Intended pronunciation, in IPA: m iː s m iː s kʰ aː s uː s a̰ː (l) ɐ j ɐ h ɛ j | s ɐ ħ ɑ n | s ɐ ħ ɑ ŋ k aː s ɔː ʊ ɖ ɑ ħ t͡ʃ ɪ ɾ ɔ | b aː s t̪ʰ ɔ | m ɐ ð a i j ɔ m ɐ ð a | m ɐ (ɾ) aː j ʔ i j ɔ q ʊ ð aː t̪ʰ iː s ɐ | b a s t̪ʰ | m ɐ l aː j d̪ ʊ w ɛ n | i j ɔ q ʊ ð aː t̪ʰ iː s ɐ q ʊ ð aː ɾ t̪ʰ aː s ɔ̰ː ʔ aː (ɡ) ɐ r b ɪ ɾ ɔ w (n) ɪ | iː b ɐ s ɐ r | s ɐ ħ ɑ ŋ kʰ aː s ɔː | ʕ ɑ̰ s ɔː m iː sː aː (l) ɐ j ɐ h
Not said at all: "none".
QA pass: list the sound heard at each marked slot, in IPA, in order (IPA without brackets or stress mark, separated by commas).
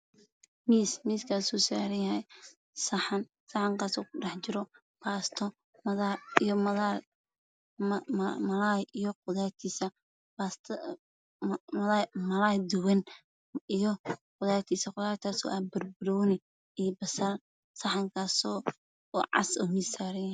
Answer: ɾ, l, b, n, ɾ